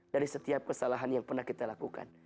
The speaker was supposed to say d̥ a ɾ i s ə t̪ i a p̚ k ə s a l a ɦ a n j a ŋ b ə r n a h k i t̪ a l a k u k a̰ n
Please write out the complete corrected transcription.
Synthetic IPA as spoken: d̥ a ɾ i s ə t̪ i a p̚ k ə s a l a ɦ a n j a ŋ p ə r n a h k i t̪ a l a k u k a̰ n

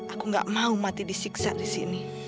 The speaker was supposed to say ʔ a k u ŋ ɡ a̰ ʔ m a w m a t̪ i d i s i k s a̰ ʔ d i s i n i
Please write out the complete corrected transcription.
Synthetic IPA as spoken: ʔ a k u ŋ ɡ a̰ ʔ m a u m a t̪ i d i s i k s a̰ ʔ d i s i n i

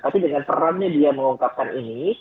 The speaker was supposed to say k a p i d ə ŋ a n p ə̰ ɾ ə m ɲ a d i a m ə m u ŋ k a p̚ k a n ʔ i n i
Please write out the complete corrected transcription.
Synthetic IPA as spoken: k a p i d ə ŋ a n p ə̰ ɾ a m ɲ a d i a m ə ŋ u ŋ k a p̚ k a n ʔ i n i

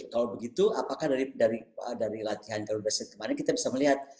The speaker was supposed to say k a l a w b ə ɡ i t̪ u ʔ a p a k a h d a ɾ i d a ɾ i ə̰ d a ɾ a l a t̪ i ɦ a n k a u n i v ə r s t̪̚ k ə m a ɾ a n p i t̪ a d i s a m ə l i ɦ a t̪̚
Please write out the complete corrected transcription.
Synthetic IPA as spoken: k a l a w b ə ɡ i t̪ u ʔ a p a k a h d a ɾ i d a ɾ i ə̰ d a ɾ i l a t̪ i ɦ a n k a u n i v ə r s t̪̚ k ə m a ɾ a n k i t̪ a b i s a m ə l i ɦ a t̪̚

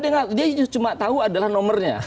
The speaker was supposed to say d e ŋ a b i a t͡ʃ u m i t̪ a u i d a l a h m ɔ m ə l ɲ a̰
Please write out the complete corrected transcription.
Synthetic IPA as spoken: d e ŋ a d i a t͡ʃ u m a t̪ a u a d a l a h n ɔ m ə r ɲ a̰

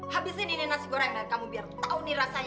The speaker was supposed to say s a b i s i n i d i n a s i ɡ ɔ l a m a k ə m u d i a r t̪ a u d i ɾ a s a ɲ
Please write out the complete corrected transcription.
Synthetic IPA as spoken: h a b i s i n i n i n a s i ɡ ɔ ɾ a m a k a m u b i a r t̪ a u n i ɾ a s a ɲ

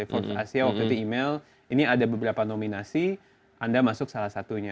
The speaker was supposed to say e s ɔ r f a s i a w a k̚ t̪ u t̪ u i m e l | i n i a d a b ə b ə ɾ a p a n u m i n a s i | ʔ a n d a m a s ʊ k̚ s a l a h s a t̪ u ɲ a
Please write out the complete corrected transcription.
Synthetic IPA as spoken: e f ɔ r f a s i a w a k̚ t̪ u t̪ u i m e l | i n i a d a b ə b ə ɾ a p a n o m i n a s i | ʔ a n d a m a s ʊ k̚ s a l a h s a t̪ u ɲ a

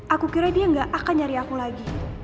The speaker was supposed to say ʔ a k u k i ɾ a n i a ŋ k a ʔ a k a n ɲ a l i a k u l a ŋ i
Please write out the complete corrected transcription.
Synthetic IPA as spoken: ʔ a k u k i ɾ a d i a ŋ ɡ a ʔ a k a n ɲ a ɾ i a k u l a ɡ i

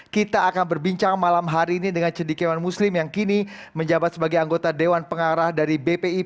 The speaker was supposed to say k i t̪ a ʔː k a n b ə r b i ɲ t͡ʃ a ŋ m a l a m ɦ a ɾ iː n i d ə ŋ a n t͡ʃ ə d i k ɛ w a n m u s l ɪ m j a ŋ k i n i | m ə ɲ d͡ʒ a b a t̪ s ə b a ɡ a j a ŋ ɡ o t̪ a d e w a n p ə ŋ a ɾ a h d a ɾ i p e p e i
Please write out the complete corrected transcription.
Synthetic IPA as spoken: k i t̪ a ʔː k a n b ə r b i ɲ t͡ʃ a ŋ m a l a m ɦ a ɾ iː n i d ə ŋ a n t͡ʃ ə d i k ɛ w a n m u s l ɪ m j a ŋ k i n i | m ə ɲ d͡ʒ a b a t̪ s ə b a ɡ a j a ŋ ɡ o t̪ a d e w a n p ə ŋ a ɾ a h d a ɾ i b e p e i

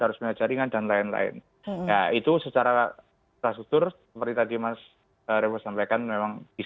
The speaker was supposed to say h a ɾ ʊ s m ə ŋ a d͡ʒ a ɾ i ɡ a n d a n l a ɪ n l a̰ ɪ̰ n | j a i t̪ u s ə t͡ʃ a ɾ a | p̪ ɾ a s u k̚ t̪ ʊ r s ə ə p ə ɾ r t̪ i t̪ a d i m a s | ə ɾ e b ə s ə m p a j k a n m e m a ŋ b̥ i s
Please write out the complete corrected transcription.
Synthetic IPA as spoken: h a ɾ ʊ s m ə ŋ a d͡ʒ a ɾ i ŋ a n d a n l a ɪ n l a̰ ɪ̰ n | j a i t̪ u s ə t͡ʃ a ɾ a | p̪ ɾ a s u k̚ t̪ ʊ r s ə ə p ə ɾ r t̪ i t̪ a d i m a s | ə ɾ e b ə s a m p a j k a n m e m a ŋ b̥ i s

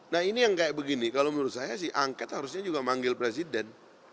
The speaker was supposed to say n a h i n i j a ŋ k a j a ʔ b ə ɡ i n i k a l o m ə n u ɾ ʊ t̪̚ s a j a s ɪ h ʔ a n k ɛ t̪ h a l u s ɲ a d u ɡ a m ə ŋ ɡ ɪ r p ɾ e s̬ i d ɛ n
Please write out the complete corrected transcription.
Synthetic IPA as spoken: n a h i n i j a ŋ k a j a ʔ b ə ɡ i n i k a l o m ə n u ɾ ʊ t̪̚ s a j a s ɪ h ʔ a ŋ k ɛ t̪ h a ɾ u s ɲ a d͡ʒ u ɡ a m a ŋ ɡ ɪ l p ɾ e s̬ i d ɛ n

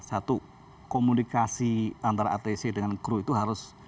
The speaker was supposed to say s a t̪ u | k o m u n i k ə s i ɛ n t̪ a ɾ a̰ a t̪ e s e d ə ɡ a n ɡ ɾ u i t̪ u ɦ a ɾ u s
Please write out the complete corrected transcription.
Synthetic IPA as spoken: s a t̪ u | k o m u n i k a s i a n t̪ a ɾ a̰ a t̪ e s e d ə ŋ a n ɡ ɾ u i t̪ u ɦ a ɾ ʊ s

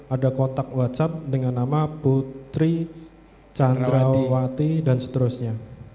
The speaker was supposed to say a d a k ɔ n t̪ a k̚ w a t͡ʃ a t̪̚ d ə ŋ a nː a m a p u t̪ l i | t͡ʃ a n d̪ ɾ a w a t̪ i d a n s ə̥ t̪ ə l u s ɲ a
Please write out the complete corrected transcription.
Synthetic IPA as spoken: a d a k ɔ n t̪ a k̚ w a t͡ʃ a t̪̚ d ə ŋ a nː a m a p u t̪ ɾ i | t͡ʃ a n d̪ ɾ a w a t̪ i d a n s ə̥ t̪ ə ɾ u s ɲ a

